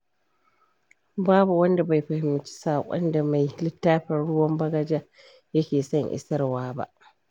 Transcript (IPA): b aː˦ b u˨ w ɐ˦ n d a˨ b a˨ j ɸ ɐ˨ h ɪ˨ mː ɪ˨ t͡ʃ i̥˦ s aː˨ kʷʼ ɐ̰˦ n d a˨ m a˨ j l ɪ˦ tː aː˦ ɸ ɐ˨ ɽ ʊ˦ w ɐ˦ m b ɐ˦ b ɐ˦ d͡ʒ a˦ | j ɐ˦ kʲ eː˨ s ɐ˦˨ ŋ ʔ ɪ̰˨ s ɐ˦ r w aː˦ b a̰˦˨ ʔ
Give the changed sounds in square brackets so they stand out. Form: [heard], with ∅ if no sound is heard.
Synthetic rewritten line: b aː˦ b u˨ w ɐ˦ n d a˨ b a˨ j ɸ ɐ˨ h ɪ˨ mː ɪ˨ t͡ʃ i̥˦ s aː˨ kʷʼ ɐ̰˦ n d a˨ m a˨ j l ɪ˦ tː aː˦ ɸ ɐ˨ ɽ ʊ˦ w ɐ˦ m b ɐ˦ [ɡ] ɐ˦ d͡ʒ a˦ | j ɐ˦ kʲ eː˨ s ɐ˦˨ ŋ ʔ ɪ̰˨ s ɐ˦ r w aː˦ b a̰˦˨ ʔ

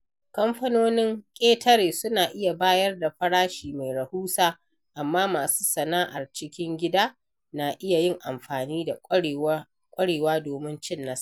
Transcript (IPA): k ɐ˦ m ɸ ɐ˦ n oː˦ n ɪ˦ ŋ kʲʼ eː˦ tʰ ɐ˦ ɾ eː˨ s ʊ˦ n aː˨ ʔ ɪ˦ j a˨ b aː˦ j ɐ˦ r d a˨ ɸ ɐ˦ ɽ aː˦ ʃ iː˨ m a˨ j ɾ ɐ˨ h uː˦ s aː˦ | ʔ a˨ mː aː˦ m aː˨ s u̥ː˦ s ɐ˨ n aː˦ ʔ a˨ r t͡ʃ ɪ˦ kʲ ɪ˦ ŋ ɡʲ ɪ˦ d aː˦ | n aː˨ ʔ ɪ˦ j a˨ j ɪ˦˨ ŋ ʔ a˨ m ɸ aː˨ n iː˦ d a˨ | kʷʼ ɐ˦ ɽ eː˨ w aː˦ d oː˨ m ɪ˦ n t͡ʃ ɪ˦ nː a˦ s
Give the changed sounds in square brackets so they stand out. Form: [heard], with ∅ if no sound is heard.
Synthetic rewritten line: k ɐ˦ m ɸ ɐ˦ n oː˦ n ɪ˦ ŋ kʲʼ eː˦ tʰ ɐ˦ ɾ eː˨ s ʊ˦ n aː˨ ʔ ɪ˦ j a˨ b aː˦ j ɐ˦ r d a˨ ɸ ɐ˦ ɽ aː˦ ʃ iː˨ m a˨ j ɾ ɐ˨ h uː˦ s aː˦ | ʔ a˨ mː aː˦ m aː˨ s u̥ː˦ s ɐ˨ n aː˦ ʔ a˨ r t͡ʃ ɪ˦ kʲ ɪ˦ ŋ ɡʲ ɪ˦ d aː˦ | n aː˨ ʔ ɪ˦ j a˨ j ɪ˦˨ ŋ ʔ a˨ m ɸ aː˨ n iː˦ d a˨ | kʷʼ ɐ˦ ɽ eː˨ w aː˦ d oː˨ m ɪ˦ n t͡ʃ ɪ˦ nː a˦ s

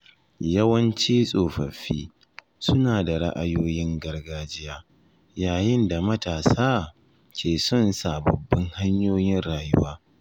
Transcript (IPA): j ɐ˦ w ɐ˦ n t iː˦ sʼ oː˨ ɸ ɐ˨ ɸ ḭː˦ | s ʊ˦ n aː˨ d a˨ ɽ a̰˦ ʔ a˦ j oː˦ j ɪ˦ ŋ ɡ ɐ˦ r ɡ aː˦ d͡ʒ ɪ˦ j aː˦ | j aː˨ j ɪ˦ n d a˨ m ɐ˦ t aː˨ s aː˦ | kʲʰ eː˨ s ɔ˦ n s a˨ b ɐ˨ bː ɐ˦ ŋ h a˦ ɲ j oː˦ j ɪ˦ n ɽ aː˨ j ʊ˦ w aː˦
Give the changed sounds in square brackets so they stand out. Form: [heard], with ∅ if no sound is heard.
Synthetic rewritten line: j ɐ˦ w ɐ˦ n [t͡ʃ] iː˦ sʼ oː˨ ɸ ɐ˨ ɸ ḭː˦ | s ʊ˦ n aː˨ d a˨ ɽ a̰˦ ʔ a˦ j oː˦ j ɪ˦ ŋ ɡ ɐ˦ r ɡ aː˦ d͡ʒ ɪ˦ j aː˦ | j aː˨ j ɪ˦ n d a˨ m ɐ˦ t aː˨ s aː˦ | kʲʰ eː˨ s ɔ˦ n s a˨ b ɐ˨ bː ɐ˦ ŋ h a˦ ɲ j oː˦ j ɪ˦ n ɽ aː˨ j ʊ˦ w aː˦

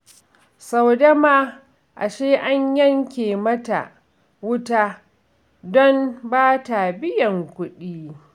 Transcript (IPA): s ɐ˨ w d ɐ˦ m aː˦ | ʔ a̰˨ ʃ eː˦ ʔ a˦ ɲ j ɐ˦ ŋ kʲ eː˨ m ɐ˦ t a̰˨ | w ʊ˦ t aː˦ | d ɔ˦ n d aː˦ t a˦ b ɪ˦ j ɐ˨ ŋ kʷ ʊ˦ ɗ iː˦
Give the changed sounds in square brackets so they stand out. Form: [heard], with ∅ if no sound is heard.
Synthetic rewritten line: s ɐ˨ w d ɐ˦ m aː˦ | ʔ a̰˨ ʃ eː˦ ʔ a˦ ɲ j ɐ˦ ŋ kʲ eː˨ m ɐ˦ t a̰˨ | w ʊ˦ t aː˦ | d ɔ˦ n [b] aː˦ t [a˨] b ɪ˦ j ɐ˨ ŋ kʷ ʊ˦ ɗ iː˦

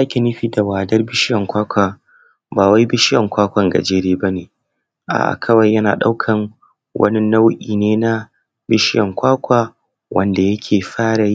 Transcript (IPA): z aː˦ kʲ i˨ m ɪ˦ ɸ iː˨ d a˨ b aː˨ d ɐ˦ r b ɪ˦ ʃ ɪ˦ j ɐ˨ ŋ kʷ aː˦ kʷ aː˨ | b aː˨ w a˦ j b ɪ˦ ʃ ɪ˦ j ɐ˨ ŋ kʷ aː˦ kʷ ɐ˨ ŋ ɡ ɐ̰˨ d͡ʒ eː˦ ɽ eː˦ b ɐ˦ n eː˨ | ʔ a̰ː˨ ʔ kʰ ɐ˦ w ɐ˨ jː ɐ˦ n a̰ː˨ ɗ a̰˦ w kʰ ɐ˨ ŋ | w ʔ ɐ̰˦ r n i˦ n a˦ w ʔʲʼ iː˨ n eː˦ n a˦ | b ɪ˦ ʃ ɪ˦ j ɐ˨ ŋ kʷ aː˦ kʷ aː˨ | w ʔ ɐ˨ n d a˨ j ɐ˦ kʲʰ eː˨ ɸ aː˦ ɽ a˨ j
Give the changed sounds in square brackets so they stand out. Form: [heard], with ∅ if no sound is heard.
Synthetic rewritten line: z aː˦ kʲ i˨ [n] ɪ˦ ɸ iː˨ d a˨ [w] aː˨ d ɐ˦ r b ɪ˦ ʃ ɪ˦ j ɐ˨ ŋ kʷ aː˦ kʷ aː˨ | b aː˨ w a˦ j b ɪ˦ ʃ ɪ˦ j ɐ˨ ŋ kʷ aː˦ kʷ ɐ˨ ŋ ɡ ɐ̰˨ d͡ʒ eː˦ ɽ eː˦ b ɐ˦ n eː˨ | ʔ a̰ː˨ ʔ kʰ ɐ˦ w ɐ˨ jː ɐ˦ n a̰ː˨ ɗ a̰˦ w kʰ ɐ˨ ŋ | w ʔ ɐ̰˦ [∅] n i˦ n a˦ w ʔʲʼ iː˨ n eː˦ n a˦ | b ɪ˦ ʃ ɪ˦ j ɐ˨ ŋ kʷ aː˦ kʷ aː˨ | w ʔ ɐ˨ n d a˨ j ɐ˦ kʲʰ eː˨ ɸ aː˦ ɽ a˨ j

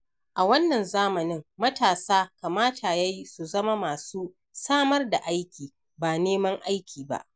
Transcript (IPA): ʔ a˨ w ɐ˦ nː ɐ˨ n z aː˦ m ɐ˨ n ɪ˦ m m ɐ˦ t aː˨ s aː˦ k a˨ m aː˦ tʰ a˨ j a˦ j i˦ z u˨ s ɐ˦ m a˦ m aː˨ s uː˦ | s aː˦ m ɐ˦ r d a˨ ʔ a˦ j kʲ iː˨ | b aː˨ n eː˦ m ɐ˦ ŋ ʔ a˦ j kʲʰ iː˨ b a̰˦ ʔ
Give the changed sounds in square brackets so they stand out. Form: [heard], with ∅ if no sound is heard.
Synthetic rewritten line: ʔ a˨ w ɐ˦ nː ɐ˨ n z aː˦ m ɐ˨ n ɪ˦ [ŋ] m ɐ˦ t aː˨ s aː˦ k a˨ m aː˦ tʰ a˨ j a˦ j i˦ [s] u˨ [z] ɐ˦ m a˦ m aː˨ s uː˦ | s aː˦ m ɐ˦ r d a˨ ʔ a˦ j kʲ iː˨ | b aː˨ n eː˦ m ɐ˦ ŋ ʔ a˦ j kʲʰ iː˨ b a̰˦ ʔ

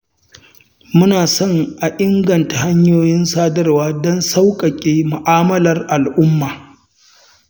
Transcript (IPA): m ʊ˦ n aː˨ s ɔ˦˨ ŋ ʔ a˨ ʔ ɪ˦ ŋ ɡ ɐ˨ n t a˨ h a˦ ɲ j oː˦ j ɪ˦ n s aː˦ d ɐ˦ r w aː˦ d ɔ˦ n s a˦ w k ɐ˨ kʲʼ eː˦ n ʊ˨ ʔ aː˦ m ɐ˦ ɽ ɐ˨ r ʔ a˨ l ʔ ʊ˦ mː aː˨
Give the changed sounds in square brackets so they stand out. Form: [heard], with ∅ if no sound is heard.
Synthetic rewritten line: m ʊ˦ n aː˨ s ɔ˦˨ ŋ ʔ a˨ ʔ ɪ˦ ŋ ɡ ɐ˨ n t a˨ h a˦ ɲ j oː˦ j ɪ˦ n s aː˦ d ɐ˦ r w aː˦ d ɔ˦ n s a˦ w [kʼ] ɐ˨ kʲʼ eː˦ [m] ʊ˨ ʔ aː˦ m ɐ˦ [l] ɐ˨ r ʔ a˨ l ʔ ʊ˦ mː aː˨

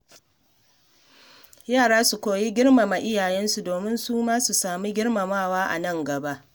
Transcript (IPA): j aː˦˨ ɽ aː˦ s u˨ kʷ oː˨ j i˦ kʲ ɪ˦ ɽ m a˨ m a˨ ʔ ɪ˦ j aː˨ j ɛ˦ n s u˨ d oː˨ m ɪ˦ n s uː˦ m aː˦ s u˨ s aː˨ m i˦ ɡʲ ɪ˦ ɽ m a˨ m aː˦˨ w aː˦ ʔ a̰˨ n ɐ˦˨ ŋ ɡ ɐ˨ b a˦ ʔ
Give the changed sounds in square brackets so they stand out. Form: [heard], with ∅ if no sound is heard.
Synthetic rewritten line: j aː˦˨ ɽ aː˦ s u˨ kʷ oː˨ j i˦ [ɡʲ] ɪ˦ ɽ m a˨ m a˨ ʔ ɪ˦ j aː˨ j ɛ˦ n s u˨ d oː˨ m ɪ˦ n s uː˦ m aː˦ s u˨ s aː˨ m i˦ ɡʲ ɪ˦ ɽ m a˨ m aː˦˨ w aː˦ ʔ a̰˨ n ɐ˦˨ ŋ ɡ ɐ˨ b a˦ ʔ

